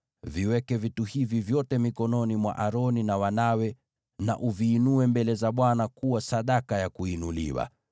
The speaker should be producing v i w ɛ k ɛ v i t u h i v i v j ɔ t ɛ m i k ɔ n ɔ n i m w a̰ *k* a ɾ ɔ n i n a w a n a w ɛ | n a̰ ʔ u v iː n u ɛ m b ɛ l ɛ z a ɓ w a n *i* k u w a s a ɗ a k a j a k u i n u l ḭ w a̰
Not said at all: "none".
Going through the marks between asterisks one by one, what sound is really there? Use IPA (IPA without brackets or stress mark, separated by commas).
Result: ʔ, a